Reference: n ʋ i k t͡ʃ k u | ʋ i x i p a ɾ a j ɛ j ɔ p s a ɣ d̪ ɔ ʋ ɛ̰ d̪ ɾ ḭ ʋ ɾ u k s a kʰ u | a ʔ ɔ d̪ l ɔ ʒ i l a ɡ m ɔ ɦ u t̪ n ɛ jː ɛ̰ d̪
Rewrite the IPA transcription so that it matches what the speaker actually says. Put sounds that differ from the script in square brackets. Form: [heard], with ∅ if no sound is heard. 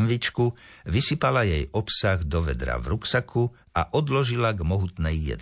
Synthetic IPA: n ʋ i [∅] t͡ʃ k u | ʋ i [s] i p a [l] a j ɛ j ɔ p s a ɣ d̪ ɔ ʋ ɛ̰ d̪ ɾ [a̰] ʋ ɾ u k s a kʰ u | a ʔ ɔ d̪ l ɔ ʒ i l a ɡ m ɔ ɦ u t̪ n ɛ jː ɛ̰ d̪